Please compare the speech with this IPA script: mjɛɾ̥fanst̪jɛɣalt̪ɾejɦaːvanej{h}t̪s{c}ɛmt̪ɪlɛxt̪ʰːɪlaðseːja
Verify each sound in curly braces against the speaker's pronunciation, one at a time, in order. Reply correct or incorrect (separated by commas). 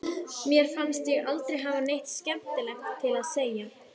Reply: correct, correct